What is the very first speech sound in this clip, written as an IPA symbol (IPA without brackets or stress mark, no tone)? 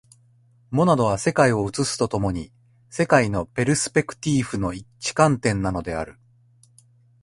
m